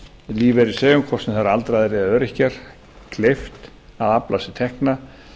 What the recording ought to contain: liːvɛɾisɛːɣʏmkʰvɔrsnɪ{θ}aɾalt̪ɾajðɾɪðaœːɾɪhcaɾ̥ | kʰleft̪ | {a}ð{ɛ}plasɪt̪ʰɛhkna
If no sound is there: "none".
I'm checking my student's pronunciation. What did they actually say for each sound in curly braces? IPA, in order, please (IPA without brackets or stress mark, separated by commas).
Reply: θ, a, a